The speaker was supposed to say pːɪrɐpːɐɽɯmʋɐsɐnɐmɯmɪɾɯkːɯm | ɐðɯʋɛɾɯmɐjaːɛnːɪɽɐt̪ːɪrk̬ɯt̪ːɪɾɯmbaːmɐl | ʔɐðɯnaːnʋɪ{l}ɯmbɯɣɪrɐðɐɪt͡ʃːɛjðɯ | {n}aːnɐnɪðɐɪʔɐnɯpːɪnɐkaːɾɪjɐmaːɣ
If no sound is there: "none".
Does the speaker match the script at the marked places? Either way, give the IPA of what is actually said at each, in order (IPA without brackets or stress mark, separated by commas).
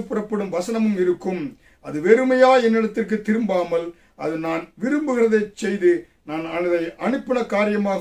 ɾ, n